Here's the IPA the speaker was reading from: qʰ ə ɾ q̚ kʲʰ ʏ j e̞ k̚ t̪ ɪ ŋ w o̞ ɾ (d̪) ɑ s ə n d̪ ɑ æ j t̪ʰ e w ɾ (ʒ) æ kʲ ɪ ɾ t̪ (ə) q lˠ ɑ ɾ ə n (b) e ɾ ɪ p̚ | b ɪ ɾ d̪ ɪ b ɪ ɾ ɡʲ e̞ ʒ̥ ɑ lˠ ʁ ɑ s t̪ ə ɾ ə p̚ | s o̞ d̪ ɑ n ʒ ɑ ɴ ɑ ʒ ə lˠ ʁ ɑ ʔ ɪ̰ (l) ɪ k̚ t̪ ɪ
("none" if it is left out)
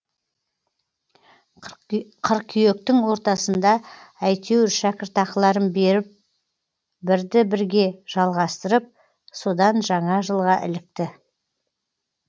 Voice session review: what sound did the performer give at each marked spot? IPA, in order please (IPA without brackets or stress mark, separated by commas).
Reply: t̪, ʃ, ɑ, b, l